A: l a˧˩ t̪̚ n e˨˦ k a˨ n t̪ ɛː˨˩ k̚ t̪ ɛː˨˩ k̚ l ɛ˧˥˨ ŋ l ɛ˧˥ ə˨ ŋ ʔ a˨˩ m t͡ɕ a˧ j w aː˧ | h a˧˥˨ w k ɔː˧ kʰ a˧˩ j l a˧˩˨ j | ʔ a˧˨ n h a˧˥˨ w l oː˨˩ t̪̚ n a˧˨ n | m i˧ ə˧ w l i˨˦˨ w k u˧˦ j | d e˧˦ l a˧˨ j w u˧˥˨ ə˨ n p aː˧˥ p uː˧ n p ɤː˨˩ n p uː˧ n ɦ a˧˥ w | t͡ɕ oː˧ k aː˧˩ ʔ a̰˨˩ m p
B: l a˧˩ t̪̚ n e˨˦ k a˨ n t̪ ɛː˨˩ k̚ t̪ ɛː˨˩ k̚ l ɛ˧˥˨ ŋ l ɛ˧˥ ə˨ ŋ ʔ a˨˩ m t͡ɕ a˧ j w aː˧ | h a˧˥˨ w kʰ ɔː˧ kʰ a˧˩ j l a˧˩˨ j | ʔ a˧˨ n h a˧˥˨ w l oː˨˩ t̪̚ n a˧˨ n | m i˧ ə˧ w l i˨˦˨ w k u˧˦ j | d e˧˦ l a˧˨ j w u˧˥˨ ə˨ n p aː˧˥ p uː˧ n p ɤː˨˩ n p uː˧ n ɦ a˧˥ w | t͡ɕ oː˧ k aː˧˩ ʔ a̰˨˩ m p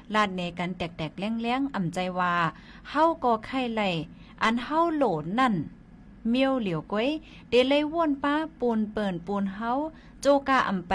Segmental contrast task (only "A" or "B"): A